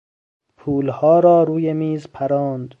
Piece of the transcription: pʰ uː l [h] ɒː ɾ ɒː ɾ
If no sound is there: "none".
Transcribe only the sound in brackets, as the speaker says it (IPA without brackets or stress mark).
h